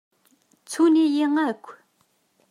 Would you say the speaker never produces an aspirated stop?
no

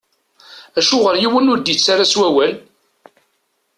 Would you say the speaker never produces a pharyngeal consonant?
yes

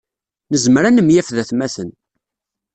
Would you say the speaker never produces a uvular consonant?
yes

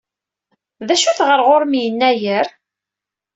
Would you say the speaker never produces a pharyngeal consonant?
yes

